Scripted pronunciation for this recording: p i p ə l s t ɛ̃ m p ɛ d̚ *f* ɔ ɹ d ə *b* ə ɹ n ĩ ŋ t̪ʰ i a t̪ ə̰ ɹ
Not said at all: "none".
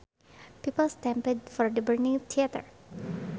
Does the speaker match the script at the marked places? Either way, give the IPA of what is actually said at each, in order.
f, b

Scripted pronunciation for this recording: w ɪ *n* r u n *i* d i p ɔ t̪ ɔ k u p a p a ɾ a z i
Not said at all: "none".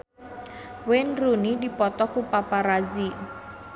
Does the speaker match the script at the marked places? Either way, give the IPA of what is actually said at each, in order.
n, i

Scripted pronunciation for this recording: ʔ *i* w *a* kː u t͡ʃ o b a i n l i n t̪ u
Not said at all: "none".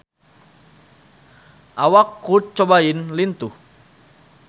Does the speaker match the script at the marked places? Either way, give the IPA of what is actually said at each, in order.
a, a

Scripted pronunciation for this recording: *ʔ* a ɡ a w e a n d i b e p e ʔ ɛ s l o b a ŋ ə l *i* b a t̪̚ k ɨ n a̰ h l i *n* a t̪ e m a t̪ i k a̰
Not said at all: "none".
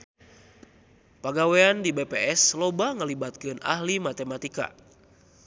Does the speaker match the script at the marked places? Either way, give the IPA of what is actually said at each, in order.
p, i, m

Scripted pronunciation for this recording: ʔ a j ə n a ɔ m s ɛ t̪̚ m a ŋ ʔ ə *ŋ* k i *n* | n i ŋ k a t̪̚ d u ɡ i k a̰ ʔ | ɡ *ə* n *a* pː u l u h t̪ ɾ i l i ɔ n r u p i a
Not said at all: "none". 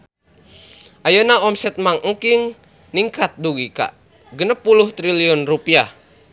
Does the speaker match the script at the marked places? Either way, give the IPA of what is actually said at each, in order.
ŋ, ŋ, ə, ə

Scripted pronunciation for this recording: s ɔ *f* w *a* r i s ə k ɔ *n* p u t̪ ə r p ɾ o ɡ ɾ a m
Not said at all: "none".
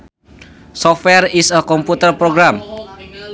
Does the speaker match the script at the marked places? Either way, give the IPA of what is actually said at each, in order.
f, ɛ, m

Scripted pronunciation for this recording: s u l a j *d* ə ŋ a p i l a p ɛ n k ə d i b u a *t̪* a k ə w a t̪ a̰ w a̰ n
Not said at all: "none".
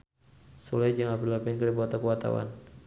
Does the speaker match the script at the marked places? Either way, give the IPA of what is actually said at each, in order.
d͡ʒ, t̪

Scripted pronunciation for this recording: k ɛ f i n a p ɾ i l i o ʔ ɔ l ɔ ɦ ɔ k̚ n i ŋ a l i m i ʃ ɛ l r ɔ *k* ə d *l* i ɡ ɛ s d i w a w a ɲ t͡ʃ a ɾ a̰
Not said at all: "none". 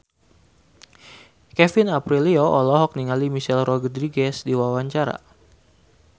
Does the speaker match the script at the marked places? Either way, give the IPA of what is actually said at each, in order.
ɡ, ɾ

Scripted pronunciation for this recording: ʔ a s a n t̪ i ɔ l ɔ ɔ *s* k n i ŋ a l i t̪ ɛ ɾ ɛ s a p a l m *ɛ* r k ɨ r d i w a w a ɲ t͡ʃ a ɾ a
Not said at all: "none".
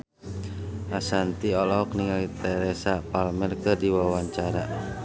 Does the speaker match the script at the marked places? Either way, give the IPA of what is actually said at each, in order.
none, ɛ

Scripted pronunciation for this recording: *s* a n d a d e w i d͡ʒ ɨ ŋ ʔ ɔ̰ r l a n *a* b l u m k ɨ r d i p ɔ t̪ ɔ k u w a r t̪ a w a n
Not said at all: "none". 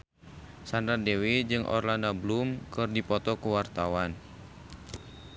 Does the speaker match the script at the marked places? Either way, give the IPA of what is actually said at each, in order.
s, a

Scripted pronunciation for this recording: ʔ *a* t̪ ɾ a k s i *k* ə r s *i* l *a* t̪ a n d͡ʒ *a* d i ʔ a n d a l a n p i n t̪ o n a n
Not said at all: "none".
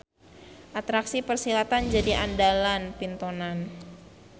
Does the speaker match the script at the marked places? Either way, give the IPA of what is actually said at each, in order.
a, p, i, a, a

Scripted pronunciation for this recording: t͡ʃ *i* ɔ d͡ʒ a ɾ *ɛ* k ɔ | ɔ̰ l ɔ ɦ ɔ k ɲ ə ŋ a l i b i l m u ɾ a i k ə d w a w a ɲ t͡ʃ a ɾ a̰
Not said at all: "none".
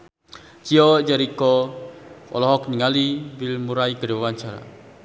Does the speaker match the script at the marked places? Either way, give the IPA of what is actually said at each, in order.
i, i

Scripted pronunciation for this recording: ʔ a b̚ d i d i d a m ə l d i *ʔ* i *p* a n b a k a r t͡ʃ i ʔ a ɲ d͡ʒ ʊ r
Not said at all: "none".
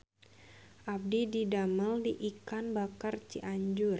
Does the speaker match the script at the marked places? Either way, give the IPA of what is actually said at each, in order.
ʔ, k

